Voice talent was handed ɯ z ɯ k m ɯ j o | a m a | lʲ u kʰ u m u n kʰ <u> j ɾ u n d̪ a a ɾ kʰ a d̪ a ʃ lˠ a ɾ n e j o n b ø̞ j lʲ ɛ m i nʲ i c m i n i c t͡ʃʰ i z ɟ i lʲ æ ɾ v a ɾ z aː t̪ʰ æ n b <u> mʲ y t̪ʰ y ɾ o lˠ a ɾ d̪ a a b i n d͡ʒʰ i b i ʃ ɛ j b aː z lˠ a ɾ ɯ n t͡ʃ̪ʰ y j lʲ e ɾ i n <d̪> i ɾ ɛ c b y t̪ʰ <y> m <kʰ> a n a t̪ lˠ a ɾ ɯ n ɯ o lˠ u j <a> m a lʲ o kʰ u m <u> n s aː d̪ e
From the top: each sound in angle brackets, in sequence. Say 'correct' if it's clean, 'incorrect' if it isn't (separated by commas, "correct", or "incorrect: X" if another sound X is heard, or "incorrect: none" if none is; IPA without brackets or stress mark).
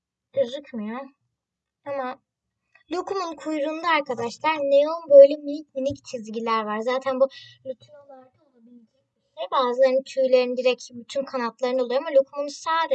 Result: correct, correct, correct, correct, correct, correct, correct